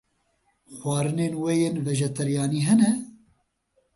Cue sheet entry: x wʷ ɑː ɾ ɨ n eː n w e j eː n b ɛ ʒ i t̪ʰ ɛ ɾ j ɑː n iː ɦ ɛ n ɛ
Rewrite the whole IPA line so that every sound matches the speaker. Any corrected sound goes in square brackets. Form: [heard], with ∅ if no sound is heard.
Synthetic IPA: x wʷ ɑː ɾ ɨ n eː n w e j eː n [v] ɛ ʒ [ɛ] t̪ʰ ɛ ɾ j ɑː n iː ɦ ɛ n ɛ

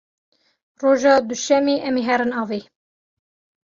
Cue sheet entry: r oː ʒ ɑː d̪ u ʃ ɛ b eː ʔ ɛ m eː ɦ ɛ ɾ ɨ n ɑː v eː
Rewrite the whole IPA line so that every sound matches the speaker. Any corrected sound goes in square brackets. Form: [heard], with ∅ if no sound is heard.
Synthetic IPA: r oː ʒ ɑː d̪ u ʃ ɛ [m] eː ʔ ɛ m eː ɦ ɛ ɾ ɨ n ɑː v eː

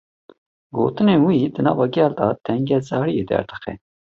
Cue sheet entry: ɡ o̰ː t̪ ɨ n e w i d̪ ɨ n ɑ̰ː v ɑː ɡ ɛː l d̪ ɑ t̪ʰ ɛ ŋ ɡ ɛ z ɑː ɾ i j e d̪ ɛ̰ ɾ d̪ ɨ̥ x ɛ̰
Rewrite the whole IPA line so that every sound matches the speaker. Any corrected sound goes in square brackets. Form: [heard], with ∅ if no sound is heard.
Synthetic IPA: ɡ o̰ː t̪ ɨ n e w i d̪ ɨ n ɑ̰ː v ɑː ɡ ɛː l d̪ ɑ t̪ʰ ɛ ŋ ɡ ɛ z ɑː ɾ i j e d̪ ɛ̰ ɾ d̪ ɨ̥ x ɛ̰

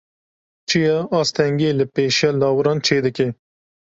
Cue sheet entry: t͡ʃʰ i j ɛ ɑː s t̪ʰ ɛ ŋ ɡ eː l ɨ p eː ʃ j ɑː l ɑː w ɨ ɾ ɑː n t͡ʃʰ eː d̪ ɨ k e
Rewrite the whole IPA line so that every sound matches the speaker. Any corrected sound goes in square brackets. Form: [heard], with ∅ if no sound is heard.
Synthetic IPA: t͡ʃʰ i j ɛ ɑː s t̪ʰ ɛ ŋ ɡ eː l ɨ p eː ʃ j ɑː l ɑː w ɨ ɾ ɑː n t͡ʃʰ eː d̪ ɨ k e

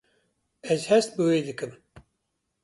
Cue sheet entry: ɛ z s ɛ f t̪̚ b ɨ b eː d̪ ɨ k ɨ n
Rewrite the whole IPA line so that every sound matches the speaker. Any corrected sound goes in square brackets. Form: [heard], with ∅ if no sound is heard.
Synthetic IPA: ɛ z [h] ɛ [s] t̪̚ b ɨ [w] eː d̪ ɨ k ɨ [m]

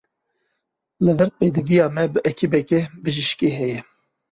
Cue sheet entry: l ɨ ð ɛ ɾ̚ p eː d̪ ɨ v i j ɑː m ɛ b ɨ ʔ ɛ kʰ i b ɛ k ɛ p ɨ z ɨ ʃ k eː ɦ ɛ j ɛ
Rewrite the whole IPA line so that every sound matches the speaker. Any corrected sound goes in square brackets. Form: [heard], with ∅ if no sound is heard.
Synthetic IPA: l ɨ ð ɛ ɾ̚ p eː d̪ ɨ v i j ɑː m ɛ b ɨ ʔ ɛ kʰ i b ɛ k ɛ [b] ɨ [ʒ] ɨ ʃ k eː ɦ ɛ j ɛ

